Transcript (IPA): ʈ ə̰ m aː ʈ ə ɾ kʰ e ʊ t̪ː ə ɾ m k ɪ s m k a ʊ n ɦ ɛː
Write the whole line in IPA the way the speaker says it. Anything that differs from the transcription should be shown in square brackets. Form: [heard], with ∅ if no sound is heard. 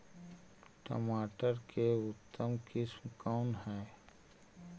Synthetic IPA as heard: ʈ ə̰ m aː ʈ ə ɾ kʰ e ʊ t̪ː ə [∅] m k ɪ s m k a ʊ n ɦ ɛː